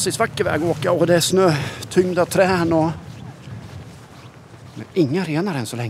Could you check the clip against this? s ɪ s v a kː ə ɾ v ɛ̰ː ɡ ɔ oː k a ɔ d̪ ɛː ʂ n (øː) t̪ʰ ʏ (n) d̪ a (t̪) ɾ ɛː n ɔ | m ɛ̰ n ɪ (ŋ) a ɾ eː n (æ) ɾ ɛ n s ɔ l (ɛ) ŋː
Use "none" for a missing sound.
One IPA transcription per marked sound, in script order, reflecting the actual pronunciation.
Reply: øː, ŋ, t̪ʰ, ŋː, a, ɛ

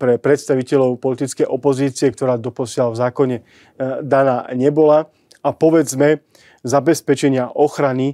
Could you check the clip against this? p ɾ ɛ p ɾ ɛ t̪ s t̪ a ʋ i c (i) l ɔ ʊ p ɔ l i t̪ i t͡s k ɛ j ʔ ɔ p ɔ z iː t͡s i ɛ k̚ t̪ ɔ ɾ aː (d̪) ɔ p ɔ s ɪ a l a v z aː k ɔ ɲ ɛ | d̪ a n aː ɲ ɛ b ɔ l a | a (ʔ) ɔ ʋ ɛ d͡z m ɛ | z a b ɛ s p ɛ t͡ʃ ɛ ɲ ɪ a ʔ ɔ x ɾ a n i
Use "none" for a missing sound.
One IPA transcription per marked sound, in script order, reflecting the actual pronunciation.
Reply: ɛ, d̪, p

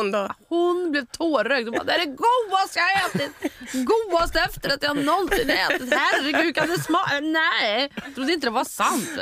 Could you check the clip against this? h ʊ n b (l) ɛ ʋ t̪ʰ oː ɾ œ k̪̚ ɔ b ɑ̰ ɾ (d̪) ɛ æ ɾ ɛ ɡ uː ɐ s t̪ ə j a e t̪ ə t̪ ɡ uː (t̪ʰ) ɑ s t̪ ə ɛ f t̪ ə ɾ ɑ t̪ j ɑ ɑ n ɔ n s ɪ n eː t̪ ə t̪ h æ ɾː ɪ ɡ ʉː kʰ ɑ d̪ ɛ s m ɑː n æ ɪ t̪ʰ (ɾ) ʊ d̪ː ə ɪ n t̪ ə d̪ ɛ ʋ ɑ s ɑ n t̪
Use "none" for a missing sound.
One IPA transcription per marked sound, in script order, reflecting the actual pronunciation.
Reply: l, d̪, none, ɾ

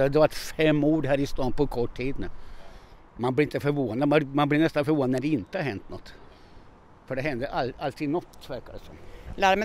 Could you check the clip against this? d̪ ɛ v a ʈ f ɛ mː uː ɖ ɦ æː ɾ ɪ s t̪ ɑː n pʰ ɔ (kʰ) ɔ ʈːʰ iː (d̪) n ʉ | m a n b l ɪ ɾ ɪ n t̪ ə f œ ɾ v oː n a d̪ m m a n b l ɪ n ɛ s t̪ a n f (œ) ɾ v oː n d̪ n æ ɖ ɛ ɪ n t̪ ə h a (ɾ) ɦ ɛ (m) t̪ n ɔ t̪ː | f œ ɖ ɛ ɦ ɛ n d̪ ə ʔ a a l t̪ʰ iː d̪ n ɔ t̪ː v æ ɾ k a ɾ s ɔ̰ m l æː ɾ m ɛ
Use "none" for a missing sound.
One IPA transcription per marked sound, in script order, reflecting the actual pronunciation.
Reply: kʰ, d̪, œ, ɾ, n

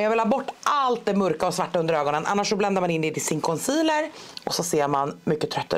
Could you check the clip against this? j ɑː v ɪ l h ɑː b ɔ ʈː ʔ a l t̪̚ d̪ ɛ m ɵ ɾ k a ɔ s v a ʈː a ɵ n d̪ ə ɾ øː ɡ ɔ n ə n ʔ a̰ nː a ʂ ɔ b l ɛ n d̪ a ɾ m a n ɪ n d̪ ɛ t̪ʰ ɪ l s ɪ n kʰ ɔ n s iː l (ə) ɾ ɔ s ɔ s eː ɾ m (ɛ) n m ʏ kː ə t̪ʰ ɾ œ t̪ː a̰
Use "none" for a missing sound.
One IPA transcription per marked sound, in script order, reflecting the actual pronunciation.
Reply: ə, a

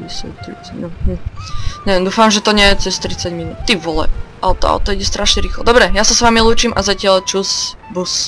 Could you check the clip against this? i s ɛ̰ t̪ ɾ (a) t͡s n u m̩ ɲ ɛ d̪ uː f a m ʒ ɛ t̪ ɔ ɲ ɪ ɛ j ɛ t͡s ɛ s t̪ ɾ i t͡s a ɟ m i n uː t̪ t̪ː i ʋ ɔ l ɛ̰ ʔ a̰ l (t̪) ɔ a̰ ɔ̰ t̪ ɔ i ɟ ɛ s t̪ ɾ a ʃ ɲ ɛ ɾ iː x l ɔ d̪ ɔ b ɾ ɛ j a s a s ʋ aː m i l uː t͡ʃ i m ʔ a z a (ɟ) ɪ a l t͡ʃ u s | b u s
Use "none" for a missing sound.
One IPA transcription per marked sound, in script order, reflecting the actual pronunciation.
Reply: i, t̪, c

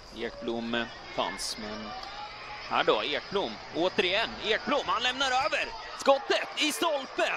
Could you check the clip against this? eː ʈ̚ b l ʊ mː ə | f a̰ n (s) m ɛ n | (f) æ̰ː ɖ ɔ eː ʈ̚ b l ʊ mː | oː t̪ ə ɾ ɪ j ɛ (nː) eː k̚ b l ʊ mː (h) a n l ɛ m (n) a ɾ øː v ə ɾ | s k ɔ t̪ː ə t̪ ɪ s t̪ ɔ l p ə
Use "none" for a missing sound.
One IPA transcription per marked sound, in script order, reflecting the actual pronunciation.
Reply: s, h, nː, h, n

